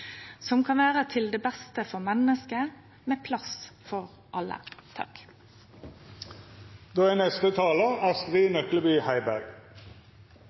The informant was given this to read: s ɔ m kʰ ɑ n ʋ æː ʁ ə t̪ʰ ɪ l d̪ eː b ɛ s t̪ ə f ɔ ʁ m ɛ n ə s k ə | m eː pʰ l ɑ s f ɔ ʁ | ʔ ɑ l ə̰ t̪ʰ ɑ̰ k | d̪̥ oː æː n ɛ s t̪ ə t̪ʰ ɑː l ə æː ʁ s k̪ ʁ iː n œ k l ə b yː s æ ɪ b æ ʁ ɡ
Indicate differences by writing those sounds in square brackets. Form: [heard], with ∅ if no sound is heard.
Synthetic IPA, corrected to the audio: s ɔ m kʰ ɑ n ʋ æː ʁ ə t̪ʰ ɪ l d̪ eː b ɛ s t̪ ə f ɔ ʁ m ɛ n ə s k ə | m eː pʰ l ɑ s f ɔ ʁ | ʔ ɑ l ə̰ t̪ʰ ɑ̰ k | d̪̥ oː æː n ɛ s t̪ ə t̪ʰ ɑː l ə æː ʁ s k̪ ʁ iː n œ k l ə b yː [h] æ ɪ b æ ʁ ɡ